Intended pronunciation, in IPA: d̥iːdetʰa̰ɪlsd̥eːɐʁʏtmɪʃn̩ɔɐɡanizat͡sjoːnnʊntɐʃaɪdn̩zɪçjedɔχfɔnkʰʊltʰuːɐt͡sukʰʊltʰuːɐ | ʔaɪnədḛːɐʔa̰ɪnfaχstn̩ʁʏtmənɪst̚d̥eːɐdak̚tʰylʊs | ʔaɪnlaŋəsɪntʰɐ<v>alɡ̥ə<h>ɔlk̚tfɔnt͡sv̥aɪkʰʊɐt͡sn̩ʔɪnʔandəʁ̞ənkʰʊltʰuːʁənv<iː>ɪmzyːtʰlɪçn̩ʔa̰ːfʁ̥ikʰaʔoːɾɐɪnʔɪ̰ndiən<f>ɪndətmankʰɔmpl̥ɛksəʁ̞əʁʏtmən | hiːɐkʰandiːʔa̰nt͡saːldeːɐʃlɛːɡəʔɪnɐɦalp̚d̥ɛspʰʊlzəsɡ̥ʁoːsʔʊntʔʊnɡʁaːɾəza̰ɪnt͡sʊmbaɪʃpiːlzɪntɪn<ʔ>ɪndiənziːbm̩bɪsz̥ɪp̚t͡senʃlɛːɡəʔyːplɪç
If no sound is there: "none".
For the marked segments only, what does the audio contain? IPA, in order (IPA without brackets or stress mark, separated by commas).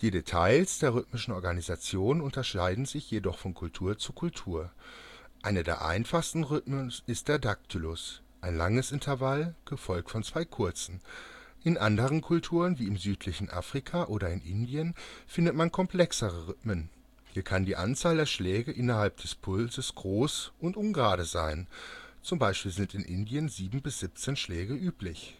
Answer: v, f, iː, f, ʔ